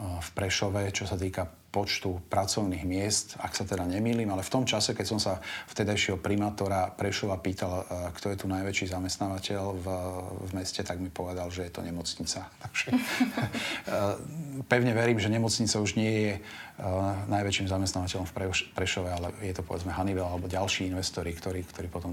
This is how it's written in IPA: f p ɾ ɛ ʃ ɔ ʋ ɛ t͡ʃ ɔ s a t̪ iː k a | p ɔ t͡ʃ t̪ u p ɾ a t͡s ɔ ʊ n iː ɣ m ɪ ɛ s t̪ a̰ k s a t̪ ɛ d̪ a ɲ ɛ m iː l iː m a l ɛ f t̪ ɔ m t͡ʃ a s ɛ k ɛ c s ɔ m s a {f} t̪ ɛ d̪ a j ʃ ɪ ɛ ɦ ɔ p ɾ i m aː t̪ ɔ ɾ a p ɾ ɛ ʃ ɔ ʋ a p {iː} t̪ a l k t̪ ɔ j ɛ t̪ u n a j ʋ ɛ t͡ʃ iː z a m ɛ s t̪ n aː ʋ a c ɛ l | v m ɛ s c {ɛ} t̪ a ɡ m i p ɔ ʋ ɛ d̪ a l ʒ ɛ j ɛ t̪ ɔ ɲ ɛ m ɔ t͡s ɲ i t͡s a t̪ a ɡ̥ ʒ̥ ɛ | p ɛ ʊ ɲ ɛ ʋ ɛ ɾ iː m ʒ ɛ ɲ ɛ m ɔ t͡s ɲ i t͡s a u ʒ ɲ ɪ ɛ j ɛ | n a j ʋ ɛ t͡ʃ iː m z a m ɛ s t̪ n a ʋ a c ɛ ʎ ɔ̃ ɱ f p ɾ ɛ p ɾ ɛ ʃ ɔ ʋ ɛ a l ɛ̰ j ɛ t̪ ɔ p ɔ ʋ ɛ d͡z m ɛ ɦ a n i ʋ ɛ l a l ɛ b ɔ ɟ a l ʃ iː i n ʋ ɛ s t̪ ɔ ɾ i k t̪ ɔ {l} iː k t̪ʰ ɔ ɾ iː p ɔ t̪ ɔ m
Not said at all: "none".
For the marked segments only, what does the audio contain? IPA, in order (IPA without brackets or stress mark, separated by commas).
f, iː, ɛ, ɾ